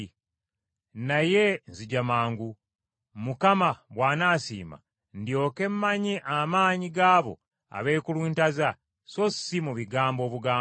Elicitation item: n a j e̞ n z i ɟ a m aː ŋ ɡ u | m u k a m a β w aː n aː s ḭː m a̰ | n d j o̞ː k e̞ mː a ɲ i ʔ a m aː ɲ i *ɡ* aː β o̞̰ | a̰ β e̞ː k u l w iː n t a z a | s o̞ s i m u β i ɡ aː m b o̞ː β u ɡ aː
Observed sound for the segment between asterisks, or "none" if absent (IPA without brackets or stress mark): ɡ